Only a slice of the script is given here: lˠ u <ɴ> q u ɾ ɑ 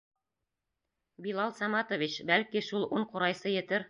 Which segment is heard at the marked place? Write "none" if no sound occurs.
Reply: ɴ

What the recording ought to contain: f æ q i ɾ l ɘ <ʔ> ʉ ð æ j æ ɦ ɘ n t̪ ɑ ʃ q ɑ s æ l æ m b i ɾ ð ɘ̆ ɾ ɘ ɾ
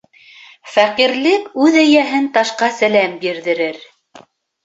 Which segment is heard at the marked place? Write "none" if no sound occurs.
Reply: k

